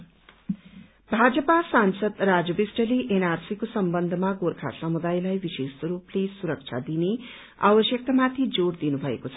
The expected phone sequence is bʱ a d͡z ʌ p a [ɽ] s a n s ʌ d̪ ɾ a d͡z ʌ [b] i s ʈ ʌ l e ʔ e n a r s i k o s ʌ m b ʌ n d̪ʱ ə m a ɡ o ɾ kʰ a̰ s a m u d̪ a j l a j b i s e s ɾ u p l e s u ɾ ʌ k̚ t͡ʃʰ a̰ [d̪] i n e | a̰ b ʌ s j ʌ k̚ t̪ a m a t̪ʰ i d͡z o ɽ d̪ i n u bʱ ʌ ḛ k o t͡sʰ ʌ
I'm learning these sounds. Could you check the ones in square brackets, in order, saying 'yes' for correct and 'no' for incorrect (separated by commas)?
no, yes, yes